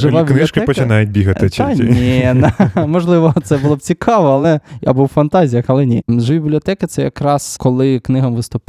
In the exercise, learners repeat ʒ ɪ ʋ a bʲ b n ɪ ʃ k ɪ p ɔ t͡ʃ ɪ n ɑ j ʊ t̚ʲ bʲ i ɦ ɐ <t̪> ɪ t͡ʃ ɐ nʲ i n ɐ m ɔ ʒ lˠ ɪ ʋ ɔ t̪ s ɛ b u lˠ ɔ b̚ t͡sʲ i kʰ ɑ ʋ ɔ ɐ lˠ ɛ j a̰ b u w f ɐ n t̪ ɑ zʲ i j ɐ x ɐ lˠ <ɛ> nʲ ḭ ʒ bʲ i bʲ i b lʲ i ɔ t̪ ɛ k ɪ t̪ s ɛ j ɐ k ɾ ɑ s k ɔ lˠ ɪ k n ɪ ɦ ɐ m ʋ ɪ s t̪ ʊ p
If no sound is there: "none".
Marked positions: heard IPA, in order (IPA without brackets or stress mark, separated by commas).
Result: t̪, ɛ